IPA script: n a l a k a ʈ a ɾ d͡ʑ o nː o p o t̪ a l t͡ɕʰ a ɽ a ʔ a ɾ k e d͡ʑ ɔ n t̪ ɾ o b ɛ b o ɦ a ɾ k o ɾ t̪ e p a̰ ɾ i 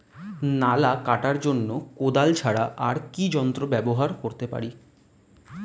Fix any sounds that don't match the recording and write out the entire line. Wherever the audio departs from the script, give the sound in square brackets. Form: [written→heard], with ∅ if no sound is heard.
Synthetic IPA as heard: n a l a k a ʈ a ɾ d͡ʑ o nː o [p→k] o [t̪→d̪] a l t͡ɕʰ a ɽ a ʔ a ɾ k [e→i] d͡ʑ ɔ n t̪ ɾ o b ɛ b o ɦ a ɾ k o ɾ t̪ e p a̰ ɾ i